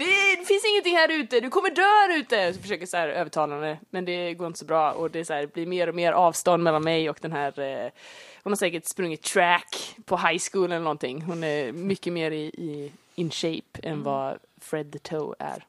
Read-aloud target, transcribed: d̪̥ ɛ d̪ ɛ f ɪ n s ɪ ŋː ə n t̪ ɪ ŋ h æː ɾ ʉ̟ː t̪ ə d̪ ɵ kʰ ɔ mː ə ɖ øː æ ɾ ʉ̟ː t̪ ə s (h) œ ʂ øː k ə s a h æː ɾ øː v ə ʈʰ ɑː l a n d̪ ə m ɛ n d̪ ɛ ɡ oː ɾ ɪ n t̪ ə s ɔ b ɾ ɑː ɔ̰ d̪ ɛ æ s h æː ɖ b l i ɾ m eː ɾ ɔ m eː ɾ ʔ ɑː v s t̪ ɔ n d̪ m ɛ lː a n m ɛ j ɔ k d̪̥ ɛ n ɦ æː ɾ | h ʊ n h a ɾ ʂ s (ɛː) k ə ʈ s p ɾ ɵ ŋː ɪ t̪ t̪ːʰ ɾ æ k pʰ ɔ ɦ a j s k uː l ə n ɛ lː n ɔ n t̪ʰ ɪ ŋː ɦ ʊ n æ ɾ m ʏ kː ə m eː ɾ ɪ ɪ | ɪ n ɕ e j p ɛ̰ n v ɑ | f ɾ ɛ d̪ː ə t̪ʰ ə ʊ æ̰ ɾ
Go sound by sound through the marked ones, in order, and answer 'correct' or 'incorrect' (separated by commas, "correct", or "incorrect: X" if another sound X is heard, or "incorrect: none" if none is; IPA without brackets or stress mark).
incorrect: f, correct